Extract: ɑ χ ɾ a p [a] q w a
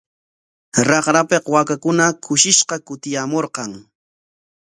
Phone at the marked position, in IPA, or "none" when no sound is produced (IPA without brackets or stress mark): e